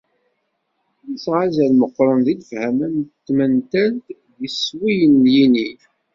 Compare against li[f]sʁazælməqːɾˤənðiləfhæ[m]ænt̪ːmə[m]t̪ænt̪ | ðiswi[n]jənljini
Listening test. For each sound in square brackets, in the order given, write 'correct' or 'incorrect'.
incorrect: none, correct, incorrect: n, incorrect: none

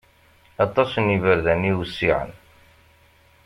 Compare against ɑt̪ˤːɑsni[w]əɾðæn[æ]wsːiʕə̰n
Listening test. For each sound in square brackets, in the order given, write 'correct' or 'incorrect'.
incorrect: v, incorrect: i

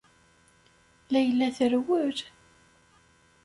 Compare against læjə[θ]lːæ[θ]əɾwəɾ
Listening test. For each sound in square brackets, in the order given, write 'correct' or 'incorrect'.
incorrect: none, correct

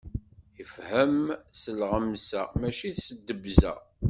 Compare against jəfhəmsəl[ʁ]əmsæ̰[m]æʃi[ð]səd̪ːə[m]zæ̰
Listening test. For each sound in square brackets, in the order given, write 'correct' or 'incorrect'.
correct, correct, incorrect: θ, incorrect: b

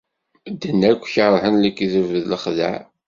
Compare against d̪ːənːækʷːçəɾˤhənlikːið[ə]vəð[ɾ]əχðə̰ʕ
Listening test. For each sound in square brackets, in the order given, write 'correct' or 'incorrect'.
correct, incorrect: l

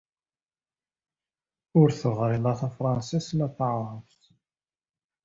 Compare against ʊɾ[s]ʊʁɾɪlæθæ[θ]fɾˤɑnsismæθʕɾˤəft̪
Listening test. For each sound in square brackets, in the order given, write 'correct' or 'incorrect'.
incorrect: θ, incorrect: none

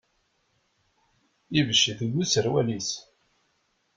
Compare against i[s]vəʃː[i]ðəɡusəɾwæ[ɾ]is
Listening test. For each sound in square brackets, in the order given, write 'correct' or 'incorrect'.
incorrect: none, correct, incorrect: l

